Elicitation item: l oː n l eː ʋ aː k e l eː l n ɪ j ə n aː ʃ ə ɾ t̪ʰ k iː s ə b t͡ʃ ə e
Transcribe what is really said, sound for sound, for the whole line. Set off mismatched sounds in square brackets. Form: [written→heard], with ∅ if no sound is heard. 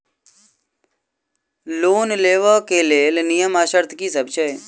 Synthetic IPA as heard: l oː n l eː ʋ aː k e l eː l n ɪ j ə [n→m] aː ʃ ə ɾ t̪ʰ k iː s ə b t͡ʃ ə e